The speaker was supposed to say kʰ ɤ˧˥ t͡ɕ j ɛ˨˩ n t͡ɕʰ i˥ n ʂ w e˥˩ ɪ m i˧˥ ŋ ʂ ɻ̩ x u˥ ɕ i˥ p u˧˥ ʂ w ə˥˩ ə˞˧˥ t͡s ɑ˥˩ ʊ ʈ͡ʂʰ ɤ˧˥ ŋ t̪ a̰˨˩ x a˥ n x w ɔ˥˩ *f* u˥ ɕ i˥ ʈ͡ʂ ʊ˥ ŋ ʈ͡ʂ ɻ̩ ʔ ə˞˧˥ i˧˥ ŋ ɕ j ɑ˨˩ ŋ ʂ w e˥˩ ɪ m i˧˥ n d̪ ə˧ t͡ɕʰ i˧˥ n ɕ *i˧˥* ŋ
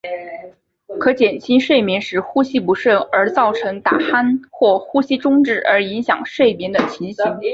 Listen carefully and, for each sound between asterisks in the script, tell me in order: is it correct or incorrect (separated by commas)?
incorrect, correct